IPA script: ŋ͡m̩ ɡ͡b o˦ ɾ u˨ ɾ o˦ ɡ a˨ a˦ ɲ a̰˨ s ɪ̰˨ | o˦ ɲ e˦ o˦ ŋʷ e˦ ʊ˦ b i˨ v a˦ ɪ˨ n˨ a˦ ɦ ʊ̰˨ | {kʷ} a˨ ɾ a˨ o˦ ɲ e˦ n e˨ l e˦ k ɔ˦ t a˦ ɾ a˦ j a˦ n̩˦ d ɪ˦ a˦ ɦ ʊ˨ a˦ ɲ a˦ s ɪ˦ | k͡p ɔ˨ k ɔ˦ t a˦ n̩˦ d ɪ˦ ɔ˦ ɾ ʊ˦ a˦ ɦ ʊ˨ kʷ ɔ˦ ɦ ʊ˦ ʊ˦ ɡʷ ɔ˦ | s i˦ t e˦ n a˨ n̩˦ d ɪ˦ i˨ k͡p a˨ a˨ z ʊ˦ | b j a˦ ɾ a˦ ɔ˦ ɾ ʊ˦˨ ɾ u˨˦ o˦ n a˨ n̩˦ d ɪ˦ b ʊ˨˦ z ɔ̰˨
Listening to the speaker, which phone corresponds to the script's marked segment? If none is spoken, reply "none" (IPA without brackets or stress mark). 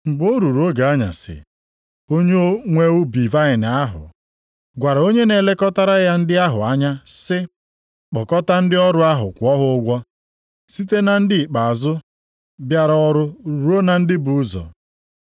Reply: ɡʷ